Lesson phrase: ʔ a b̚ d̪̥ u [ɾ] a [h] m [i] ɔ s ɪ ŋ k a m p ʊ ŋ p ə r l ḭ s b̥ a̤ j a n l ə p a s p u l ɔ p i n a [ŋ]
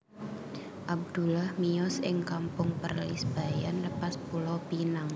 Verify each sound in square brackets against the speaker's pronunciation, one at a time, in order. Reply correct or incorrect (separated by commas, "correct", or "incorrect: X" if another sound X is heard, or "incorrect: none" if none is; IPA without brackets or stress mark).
incorrect: l, correct, correct, correct